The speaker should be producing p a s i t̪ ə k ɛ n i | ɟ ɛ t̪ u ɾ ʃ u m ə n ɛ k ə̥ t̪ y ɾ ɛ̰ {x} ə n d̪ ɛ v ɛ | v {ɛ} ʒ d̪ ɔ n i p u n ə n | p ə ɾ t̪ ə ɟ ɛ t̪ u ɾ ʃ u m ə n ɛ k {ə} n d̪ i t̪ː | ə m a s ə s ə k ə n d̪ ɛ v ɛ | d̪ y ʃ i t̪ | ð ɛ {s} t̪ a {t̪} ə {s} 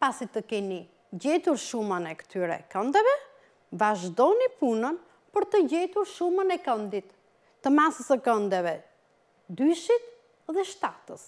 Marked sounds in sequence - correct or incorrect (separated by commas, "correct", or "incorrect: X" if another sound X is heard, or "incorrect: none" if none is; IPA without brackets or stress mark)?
incorrect: k, incorrect: a, correct, incorrect: ʃ, correct, correct